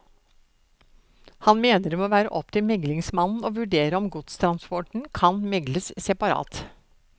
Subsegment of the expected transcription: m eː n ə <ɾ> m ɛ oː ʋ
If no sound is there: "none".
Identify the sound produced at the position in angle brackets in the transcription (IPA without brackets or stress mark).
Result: ɾ